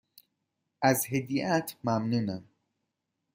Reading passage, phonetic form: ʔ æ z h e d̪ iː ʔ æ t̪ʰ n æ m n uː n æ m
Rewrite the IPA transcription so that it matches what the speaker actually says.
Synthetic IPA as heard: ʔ æ z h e d̪ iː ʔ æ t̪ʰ m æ m n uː n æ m